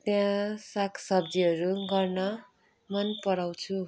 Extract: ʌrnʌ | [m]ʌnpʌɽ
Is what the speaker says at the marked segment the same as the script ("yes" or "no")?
yes